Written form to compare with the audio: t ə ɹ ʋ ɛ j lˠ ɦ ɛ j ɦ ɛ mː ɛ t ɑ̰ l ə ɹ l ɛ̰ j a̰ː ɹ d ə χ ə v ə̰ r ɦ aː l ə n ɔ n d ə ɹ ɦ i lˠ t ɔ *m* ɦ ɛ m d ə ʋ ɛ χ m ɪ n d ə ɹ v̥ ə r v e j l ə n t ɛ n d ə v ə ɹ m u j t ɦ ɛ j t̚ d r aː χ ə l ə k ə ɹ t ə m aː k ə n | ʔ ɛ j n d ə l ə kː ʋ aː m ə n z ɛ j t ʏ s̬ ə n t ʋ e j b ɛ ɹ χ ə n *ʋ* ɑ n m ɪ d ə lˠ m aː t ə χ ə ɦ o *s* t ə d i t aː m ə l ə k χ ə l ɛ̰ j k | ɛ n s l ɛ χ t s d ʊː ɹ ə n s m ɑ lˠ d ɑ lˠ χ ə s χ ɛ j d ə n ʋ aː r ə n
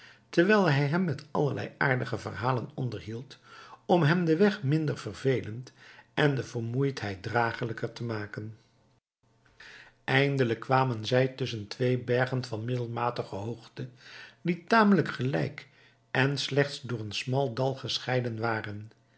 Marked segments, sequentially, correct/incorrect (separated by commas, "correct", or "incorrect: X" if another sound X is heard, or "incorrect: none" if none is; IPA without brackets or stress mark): correct, incorrect: v, incorrect: χ